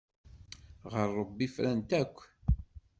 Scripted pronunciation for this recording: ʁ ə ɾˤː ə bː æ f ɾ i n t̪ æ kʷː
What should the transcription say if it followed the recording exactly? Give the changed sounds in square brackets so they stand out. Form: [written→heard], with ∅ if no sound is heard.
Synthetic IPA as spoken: ʁ ə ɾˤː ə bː [æ→i] f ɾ [i→æ] n t̪ æ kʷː